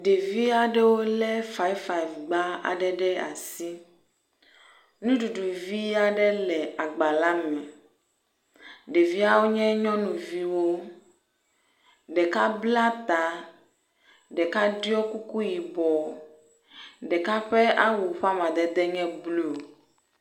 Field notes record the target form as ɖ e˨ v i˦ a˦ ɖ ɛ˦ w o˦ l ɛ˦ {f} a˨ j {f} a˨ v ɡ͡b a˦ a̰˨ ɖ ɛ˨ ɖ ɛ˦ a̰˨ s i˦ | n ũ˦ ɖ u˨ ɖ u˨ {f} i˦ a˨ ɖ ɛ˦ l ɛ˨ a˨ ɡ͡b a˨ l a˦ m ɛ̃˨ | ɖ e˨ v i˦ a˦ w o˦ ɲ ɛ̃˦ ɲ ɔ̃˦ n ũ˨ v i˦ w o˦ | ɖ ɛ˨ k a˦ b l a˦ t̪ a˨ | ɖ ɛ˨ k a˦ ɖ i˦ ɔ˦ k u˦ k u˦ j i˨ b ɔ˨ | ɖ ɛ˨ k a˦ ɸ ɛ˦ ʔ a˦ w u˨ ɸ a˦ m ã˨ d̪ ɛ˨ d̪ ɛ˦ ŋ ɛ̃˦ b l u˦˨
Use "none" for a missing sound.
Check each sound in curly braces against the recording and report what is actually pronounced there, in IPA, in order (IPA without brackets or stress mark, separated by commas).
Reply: f, f, v